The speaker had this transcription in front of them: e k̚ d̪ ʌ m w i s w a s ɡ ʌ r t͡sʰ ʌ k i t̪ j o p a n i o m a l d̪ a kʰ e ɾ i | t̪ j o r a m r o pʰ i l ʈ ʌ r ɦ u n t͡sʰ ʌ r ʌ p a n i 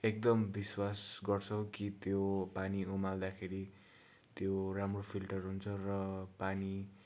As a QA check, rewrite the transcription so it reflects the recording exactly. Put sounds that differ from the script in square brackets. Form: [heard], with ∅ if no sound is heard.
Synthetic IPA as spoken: e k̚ d̪ ʌ m [b] i s w a s ɡ ʌ r t͡sʰ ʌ k i t̪ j o p a n i o m a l d̪ a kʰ e ɾ i | t̪ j o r a m r o pʰ i l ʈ ʌ r ɦ u n t͡sʰ ʌ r ʌ p a n i

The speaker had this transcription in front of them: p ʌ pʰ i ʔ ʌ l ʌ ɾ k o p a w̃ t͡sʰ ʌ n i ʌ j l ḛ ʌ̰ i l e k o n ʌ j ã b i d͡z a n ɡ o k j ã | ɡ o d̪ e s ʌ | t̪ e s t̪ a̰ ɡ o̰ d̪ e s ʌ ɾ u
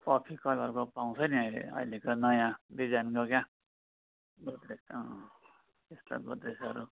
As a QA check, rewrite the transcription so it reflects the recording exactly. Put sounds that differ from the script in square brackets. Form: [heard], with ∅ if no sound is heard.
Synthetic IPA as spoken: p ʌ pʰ i [k] ʌ l ʌ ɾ k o p a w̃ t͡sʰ ʌ n i ʌ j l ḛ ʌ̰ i l e k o n ʌ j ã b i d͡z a n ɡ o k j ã | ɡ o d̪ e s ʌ | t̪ e s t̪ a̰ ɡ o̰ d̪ e s ʌ ɾ u

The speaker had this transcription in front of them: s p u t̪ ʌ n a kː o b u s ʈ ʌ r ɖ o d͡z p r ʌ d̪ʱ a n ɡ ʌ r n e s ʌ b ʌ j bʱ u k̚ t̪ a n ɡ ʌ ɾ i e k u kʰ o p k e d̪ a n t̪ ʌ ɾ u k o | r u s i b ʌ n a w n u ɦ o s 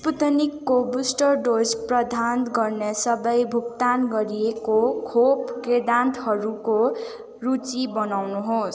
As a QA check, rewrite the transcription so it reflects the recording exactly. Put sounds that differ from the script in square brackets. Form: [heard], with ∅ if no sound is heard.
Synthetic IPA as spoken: s p u t̪ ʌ n [i] kː o b u s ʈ ʌ r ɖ o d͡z p r ʌ d̪ʱ a n ɡ ʌ r n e s ʌ b ʌ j bʱ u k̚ t̪ a n ɡ ʌ ɾ i e k [o] kʰ o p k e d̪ a n t̪ ʌ ɾ u k o | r u [t͡s] i b ʌ n a w n u ɦ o s

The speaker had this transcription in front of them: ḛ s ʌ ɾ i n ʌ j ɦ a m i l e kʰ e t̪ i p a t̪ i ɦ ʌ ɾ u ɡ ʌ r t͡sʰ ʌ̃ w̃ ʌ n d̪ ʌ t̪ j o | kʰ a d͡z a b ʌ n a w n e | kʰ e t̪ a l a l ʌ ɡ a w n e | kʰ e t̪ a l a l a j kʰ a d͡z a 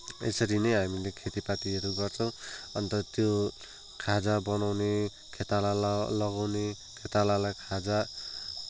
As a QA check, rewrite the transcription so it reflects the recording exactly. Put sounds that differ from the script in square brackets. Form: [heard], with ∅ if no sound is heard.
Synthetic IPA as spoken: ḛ s ʌ ɾ i n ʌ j ɦ a m i l e kʰ e t̪ i p a t̪ i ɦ ʌ ɾ u ɡ ʌ r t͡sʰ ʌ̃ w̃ ʌ n [t̪] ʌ t̪ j o | kʰ a d͡z a b ʌ n a w n e | kʰ e t̪ a l a l ʌ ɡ a w n e | kʰ e t̪ a l a l a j kʰ a d͡z a

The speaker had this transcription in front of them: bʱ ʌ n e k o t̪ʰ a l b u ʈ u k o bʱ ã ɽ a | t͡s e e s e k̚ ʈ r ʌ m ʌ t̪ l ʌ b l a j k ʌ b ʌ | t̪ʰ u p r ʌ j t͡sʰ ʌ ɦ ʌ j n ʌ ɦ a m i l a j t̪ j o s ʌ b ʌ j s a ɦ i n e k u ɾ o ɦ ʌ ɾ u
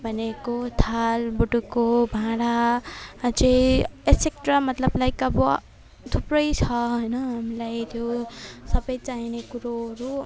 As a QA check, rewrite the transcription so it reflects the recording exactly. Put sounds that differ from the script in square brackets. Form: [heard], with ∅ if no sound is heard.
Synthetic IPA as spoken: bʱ ʌ n e k o t̪ʰ a l b u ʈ u k o bʱ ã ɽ a | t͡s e e s e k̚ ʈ r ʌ m ʌ t̪ l ʌ b l a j k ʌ b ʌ | t̪ʰ u p r ʌ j t͡sʰ ʌ ɦ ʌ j n ʌ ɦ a m i l a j [t̪ʰ] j o s ʌ b ʌ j [t͡s] a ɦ i n e k u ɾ o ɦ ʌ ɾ u

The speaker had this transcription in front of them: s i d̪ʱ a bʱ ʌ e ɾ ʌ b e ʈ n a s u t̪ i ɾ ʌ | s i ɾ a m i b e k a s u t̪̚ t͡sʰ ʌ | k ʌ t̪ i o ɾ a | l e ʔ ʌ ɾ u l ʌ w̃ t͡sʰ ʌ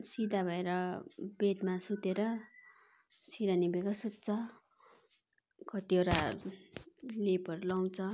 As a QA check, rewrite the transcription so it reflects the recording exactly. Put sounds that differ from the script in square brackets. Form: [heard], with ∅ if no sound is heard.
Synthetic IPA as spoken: s i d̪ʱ a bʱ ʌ e ɾ ʌ b e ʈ [m] a s u t̪ [e] ɾ ʌ | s i ɾ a [n] i b e k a s u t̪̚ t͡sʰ ʌ | k ʌ t̪ i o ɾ a | l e [p] ʌ ɾ u l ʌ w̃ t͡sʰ ʌ

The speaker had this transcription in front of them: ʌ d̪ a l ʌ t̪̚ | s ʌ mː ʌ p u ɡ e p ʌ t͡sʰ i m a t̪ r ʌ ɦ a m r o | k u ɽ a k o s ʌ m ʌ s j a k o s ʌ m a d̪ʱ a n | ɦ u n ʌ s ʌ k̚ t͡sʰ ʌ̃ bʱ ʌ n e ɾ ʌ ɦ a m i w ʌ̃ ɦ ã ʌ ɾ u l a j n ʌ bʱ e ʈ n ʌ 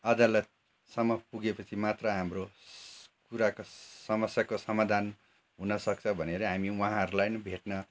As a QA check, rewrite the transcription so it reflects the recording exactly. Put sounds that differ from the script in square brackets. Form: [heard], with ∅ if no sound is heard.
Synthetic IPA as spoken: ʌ d̪ a l ʌ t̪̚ | s ʌ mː ʌ p u ɡ e p ʌ t͡sʰ i m a t̪ r ʌ ɦ a m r o | k u [ɾ] a k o s ʌ m ʌ s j a k o s ʌ m a d̪ʱ a n | ɦ u n ʌ s ʌ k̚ t͡sʰ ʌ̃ bʱ ʌ n e ɾ ʌ ɦ a m i w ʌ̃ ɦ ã ʌ ɾ u l a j n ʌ bʱ e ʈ n ʌ

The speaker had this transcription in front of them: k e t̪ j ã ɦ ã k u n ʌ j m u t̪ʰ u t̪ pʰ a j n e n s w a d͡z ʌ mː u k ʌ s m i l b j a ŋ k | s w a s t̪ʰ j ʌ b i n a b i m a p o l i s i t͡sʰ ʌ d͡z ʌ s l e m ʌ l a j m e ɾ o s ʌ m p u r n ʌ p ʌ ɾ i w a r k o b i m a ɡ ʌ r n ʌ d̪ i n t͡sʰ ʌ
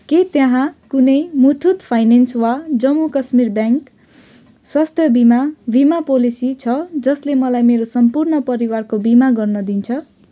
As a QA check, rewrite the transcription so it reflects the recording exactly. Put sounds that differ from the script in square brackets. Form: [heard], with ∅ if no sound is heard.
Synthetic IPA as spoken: k e t̪ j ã ɦ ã k u n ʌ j m u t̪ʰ u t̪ pʰ a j n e n s w a d͡z ʌ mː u k ʌ s m i [r] b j a ŋ k | s w a s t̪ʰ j ʌ b i [m] a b i m a p o l i s i t͡sʰ ʌ d͡z ʌ s l e m ʌ l a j m e ɾ o s ʌ m p u r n ʌ p ʌ ɾ i w a r k o b i m a ɡ ʌ r n ʌ d̪ i n t͡sʰ ʌ

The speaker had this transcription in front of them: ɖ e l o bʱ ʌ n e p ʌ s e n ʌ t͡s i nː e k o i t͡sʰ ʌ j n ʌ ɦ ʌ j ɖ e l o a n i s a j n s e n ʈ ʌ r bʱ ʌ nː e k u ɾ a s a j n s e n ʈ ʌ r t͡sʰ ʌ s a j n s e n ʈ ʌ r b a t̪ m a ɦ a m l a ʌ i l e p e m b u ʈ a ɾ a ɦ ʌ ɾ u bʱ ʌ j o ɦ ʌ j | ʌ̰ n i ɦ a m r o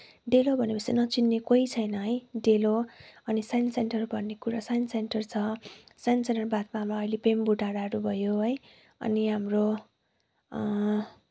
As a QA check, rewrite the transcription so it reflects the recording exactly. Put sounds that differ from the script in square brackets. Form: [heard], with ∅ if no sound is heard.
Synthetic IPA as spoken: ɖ e l o bʱ ʌ n e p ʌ s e n ʌ t͡s i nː e k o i t͡sʰ ʌ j n ʌ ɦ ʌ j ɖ e l o [ʌ] n i s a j n s e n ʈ ʌ r bʱ ʌ nː e k u ɾ a s a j n s e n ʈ ʌ r t͡sʰ ʌ s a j n s e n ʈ ʌ r b a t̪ m a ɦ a m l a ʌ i l e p e m b u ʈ a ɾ a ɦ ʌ ɾ u bʱ ʌ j o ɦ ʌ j | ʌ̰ n i ɦ a m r o

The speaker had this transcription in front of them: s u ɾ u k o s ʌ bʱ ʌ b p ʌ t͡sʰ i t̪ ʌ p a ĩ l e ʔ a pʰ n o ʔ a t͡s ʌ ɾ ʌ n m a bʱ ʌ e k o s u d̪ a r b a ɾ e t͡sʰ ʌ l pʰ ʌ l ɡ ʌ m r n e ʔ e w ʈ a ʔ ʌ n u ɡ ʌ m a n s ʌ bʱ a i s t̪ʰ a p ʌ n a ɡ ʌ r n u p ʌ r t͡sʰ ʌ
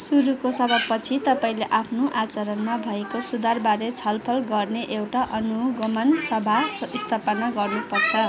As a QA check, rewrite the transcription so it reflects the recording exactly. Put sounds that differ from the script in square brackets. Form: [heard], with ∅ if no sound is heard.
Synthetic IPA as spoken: s u ɾ u k o s ʌ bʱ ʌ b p ʌ t͡sʰ i t̪ ʌ p a ĩ l e ʔ a pʰ n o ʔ a t͡s ʌ ɾ ʌ n m a bʱ ʌ e k o s u d̪ a r b a ɾ e t͡sʰ ʌ l pʰ ʌ l ɡ ʌ [∅] r n e ʔ e w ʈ a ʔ ʌ n u ɡ ʌ m [ʌ] n s ʌ bʱ a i s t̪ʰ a p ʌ n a ɡ ʌ r n u p ʌ r t͡sʰ ʌ

